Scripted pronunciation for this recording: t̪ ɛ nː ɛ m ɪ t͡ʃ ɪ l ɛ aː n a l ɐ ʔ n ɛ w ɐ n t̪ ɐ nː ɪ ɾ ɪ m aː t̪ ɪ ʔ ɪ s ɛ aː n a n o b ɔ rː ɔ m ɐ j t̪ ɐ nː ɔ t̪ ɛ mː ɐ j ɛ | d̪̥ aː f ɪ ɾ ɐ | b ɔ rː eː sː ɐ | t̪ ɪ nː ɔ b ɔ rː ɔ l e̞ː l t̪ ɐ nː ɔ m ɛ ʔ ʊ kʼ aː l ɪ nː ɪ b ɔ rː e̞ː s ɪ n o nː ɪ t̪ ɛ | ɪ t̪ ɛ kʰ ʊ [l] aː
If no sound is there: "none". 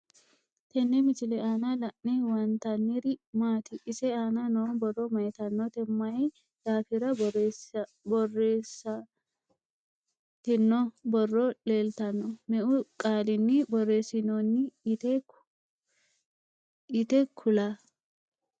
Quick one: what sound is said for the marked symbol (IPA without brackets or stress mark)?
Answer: l